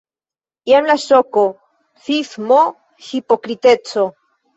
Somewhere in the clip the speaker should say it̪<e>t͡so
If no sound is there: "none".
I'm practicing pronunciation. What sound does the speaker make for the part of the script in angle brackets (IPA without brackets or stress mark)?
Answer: e